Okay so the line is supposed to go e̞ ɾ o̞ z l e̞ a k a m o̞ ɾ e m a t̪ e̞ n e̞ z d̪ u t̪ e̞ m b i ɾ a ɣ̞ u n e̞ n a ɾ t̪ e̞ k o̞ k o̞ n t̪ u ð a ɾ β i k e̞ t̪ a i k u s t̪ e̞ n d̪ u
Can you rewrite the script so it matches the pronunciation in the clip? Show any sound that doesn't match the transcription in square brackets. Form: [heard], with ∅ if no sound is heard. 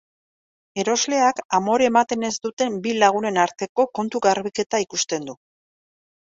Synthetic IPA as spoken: e̞ ɾ o̞ z l e̞ a k a m o̞ ɾ e m a t̪ e̞ n e̞ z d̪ u t̪ e̞ m b i [l] a ɣ̞ u n e̞ n a ɾ t̪ e̞ k o̞ k o̞ n t̪ u [ɣ] a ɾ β i k e̞ t̪ a i k u s t̪ e̞ n d̪ u